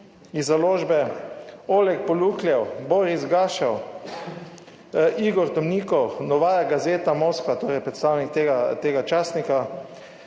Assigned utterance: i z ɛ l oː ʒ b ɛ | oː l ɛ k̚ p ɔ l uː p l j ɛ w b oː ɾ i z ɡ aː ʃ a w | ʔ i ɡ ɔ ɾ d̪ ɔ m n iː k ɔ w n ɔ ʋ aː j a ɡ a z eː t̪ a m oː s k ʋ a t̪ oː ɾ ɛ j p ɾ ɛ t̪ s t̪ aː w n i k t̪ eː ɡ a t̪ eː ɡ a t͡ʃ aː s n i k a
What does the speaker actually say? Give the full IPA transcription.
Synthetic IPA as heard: i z a l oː ʒ b ɛ | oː l ɛ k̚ p ɔ l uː k l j ɛ w b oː ɾ i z ɡ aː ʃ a w | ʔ i ɡ ɔ ɾ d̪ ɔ m n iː k ɔ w n ɔ ʋ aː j a ɡ a z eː t̪ a m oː s k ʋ a t̪ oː ɾ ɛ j p ɾ ɛ t̪ s t̪ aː w n i k t̪ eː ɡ a t̪ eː ɡ a t͡ʃ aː s n i k a